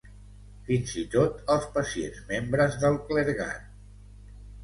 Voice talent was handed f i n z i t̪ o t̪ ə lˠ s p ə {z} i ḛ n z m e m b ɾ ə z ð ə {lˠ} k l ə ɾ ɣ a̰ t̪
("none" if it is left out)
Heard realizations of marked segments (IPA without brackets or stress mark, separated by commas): s, lˠ